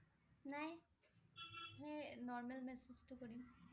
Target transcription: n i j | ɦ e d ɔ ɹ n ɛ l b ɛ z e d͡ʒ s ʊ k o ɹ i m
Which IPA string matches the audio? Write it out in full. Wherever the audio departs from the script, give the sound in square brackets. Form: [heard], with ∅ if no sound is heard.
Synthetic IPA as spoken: n [a] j | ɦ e [n] ɔ ɹ [m] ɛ l [m] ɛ [s] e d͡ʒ [t] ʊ k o ɹ i m